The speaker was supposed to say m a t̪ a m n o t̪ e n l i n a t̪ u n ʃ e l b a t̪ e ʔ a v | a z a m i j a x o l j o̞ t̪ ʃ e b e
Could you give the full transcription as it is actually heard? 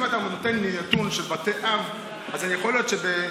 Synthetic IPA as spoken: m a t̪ a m n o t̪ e n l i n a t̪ u n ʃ e l b a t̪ e ʔ a v | a z a n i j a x o l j o̞ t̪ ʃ e b e